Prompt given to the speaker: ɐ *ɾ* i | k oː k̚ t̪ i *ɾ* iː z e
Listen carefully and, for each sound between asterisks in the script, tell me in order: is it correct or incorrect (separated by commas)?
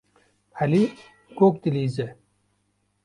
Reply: incorrect, incorrect